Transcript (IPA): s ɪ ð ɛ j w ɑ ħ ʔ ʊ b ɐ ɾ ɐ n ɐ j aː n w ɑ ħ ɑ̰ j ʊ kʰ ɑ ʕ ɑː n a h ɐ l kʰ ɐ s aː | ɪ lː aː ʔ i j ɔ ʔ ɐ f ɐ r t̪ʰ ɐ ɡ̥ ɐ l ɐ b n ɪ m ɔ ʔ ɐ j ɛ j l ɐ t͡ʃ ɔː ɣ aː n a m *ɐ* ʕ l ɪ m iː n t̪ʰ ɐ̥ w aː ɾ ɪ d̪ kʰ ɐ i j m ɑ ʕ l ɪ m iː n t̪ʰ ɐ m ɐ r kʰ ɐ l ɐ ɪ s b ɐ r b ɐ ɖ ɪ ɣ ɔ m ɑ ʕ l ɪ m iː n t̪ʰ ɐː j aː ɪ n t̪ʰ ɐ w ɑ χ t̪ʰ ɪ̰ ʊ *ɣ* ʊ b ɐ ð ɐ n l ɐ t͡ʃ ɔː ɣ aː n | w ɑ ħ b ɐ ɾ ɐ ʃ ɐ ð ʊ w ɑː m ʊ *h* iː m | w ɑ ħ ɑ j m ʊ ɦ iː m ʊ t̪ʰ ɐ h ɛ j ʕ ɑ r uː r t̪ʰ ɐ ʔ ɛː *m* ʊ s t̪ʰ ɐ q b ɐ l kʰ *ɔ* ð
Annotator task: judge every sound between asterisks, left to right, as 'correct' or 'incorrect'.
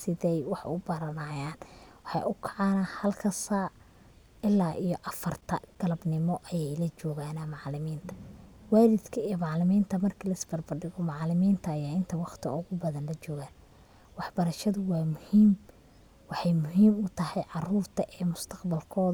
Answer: incorrect: ɑ, correct, correct, correct, incorrect: ɔː

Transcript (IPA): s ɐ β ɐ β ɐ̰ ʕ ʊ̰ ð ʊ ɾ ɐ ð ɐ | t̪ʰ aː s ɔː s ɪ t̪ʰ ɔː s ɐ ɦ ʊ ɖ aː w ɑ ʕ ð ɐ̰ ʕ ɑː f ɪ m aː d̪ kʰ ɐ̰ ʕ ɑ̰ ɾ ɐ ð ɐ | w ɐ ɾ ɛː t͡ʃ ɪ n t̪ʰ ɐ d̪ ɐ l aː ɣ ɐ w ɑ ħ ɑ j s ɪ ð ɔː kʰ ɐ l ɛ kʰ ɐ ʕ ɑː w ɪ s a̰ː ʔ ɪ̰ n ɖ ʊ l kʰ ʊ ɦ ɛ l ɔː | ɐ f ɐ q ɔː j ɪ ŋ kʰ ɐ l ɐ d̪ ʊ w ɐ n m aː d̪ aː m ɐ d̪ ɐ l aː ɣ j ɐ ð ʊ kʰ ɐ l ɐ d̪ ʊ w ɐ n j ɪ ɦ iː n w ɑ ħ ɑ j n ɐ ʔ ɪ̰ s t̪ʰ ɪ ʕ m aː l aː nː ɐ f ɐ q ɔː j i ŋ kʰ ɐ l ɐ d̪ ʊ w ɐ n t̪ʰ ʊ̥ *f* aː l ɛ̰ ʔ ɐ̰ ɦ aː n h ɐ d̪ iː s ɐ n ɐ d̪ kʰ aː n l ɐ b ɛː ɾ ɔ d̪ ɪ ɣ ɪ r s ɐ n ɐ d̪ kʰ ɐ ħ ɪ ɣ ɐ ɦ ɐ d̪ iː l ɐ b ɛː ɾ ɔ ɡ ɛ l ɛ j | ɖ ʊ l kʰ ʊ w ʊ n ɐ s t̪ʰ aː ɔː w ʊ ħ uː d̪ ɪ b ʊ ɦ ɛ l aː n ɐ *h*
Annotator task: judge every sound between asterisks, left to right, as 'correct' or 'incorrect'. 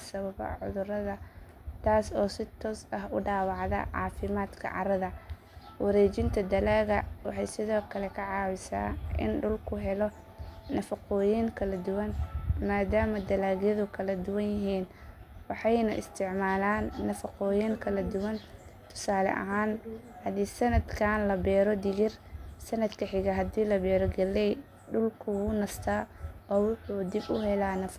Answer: incorrect: s, incorrect: f

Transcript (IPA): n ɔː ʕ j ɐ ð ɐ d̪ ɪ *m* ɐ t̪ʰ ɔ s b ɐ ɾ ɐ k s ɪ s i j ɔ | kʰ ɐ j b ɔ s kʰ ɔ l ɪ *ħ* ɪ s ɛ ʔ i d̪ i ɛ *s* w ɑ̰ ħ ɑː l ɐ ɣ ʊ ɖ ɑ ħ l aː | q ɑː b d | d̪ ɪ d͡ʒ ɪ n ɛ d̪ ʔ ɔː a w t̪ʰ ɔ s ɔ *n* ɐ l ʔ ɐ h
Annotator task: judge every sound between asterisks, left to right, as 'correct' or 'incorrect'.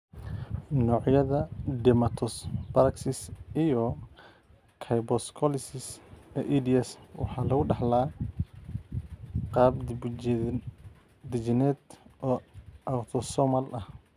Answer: correct, incorrect: s, correct, incorrect: m

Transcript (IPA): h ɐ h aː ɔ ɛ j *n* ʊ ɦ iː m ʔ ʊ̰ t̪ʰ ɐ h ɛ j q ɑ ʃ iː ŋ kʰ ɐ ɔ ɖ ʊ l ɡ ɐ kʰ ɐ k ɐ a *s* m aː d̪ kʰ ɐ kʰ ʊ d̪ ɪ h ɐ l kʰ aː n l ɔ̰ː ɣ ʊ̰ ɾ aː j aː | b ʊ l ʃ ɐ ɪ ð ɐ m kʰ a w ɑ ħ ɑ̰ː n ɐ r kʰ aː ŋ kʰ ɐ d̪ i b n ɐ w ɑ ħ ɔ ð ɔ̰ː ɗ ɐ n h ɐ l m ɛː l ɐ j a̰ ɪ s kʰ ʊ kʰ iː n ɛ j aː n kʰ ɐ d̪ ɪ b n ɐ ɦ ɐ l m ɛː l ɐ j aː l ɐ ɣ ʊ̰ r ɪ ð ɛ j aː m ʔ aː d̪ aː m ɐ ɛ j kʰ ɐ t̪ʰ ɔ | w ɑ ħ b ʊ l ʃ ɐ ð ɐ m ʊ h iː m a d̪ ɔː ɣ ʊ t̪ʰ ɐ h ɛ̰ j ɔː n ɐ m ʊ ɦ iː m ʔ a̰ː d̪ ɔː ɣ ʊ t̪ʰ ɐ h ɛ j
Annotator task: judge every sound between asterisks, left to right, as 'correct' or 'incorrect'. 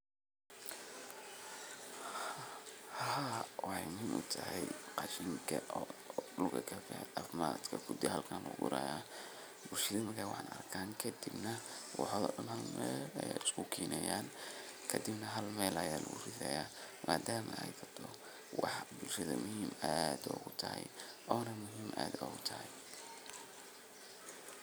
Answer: incorrect: m, incorrect: f

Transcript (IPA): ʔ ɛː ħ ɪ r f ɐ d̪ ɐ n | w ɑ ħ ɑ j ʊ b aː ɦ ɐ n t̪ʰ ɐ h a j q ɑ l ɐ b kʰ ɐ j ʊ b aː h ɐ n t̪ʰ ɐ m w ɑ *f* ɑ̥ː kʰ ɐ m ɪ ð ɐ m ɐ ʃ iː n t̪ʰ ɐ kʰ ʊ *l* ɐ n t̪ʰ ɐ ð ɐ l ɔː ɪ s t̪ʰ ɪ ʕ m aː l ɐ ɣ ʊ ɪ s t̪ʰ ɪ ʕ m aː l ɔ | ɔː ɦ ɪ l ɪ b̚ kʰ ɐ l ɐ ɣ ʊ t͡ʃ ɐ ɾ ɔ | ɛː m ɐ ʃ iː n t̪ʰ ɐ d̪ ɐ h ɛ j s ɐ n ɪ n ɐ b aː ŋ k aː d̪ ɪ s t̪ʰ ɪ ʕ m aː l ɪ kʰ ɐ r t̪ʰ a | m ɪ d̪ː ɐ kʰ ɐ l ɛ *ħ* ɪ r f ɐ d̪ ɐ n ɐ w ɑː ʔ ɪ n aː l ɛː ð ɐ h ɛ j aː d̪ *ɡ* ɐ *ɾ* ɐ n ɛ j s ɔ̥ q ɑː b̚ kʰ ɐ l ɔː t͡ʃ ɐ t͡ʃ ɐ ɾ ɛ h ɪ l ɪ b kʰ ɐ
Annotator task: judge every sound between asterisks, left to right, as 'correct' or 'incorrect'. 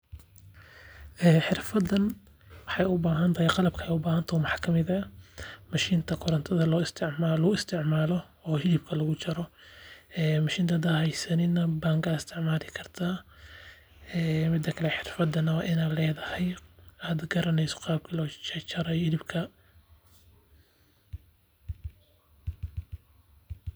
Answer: incorrect: ħ, incorrect: ɾ, correct, correct, correct

